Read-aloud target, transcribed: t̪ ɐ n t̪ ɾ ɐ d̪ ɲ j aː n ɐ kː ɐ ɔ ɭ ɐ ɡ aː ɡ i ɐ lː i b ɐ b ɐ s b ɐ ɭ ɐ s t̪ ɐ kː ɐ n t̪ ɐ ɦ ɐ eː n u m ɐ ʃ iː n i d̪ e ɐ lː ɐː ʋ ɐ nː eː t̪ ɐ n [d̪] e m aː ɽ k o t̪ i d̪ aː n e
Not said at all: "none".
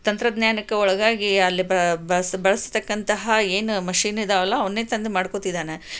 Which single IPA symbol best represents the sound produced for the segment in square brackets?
d̪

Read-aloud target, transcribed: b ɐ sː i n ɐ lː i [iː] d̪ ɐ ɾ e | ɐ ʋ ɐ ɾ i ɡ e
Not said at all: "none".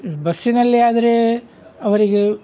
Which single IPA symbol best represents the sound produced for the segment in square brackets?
aː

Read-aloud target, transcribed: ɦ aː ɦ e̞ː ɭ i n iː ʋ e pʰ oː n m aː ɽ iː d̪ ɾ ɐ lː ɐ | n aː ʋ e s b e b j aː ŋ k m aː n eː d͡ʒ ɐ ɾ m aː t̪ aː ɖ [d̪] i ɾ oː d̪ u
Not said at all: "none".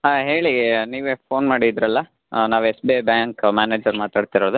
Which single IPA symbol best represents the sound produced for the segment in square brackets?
t̪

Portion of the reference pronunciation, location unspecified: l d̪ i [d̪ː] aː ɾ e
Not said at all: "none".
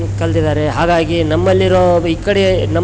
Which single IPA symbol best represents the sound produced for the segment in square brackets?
d̪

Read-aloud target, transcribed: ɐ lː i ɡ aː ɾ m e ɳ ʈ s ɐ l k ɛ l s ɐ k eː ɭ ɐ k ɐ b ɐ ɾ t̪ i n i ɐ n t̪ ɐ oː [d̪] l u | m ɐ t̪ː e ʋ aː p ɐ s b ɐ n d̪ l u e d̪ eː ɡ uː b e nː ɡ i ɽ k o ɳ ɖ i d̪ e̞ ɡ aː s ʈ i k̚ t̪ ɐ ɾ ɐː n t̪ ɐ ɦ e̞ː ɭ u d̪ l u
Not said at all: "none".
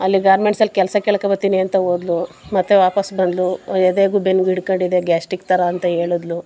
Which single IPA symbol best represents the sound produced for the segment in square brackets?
d̪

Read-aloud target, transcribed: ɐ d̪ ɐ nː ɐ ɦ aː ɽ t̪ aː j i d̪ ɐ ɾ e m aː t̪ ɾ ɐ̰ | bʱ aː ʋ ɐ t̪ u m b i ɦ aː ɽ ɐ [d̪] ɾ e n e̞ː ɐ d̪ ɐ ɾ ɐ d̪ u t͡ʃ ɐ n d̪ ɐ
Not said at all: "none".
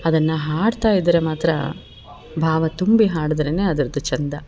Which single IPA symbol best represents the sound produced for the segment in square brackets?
d̪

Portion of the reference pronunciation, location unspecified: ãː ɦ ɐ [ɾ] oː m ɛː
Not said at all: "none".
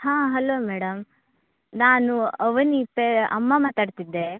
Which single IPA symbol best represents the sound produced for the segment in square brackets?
l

